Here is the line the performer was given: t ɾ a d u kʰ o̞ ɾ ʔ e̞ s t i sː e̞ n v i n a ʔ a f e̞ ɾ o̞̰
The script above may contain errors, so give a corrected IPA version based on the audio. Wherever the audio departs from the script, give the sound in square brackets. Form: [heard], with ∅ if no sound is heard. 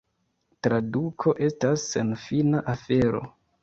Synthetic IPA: t ɾ a d u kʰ o̞ [∅] ʔ e̞ s t [a] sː e̞ n [f] i n a ʔ a f e̞ ɾ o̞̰